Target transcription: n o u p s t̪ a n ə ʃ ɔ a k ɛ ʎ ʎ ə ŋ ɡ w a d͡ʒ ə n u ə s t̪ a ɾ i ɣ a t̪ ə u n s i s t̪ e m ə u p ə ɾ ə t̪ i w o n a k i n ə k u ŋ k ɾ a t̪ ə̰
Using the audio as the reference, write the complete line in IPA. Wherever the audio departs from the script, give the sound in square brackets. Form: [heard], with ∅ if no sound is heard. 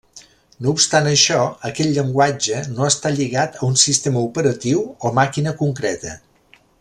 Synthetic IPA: n o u p s t̪ a n ə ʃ ɔ [ə] k ɛ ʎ ʎ ə ŋ ɡ w a d͡ʒ ə n [o] ə s t̪ a [ʎ] i ɣ a t̪ ə u n s i s t̪ e m ə u p ə ɾ ə t̪ i w o [m] a k i n ə k u ŋ k ɾ [ɛ] t̪ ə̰